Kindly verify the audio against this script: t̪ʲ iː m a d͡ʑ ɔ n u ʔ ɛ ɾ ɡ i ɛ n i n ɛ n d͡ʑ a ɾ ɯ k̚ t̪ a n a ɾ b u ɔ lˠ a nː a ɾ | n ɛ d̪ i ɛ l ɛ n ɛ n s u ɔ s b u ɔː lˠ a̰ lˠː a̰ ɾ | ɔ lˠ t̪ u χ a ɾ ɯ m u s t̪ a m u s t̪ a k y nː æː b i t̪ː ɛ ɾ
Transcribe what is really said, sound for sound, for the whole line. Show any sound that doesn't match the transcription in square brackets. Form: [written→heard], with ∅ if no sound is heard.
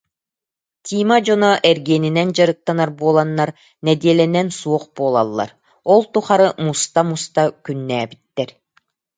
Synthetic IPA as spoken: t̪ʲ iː m a d͡ʑ ɔ n [u→ɔ] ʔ ɛ ɾ ɡ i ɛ n i n ɛ n d͡ʑ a ɾ ɯ k̚ t̪ a n a ɾ b u ɔ lˠ a nː a ɾ | n ɛ d̪ i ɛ l ɛ n ɛ n s u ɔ [s→χ] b u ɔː lˠ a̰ lˠː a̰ ɾ | ɔ lˠ t̪ u χ a ɾ ɯ m u s t̪ a m u s t̪ a k y nː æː b i t̪ː ɛ ɾ